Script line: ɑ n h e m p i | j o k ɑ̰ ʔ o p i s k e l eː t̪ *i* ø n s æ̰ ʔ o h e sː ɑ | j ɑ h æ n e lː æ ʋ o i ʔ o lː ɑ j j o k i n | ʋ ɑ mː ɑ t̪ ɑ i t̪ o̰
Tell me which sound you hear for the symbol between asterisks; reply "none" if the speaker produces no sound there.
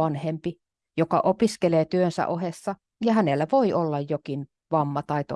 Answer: y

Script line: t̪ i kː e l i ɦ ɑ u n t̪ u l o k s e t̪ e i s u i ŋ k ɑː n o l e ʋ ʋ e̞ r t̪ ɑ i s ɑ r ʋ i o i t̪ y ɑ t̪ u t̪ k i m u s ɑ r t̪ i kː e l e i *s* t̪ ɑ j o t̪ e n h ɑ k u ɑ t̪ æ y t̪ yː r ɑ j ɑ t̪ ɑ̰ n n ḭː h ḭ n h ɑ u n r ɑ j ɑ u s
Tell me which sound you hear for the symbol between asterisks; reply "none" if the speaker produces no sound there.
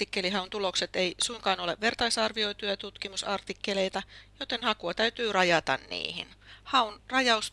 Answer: none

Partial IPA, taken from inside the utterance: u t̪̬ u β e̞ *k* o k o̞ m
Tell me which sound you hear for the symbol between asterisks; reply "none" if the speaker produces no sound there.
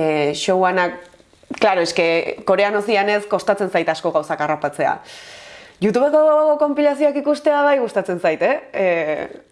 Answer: k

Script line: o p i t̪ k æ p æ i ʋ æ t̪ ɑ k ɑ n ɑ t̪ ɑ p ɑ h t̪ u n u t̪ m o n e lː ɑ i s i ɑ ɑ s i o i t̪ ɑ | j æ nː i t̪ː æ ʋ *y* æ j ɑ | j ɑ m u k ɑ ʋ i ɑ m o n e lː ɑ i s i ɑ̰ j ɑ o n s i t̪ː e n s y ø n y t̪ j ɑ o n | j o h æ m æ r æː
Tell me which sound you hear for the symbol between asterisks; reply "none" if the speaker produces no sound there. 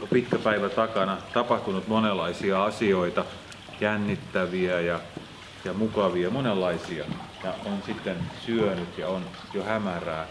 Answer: i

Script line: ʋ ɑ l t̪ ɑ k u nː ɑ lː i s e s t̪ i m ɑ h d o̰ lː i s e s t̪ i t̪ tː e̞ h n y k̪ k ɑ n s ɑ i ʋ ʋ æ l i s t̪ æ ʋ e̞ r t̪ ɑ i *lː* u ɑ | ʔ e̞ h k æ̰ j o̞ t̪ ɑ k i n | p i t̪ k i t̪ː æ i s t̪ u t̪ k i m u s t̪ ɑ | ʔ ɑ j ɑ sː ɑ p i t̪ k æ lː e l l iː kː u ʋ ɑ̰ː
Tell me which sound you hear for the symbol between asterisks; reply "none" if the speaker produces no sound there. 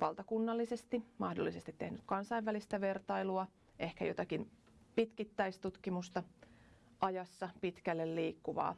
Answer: l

